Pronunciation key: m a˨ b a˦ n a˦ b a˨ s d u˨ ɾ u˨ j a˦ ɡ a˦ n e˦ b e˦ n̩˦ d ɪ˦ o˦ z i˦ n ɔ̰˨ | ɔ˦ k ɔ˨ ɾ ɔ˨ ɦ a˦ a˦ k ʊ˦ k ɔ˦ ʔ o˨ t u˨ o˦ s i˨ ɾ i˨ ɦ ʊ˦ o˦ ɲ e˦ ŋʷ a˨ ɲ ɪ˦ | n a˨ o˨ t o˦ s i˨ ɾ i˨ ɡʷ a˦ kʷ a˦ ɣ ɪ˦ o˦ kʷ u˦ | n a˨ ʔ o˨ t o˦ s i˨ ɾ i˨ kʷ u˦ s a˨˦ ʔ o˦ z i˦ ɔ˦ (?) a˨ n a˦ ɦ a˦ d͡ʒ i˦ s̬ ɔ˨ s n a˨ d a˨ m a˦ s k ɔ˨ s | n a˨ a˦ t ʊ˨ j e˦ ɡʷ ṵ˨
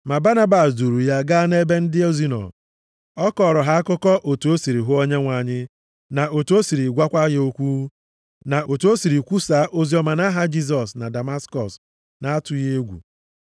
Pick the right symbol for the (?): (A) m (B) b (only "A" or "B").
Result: A